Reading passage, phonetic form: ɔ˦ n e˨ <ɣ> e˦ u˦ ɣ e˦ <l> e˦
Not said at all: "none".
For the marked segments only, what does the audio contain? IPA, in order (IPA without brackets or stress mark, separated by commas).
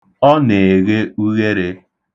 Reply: ɣ, ɾ